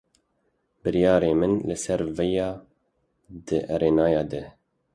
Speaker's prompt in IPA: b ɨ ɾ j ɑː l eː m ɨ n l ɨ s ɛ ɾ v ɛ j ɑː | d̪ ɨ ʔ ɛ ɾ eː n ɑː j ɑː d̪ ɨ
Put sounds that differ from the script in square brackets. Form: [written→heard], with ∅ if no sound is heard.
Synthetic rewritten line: b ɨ ɾ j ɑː [l→ɾ] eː m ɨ n l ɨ s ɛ ɾ v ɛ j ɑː | d̪ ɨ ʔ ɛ ɾ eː n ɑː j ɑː d̪ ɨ